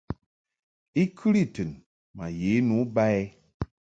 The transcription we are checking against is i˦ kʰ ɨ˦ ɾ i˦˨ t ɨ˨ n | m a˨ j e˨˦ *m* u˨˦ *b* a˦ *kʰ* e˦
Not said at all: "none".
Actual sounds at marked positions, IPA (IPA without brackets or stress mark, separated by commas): n, b, none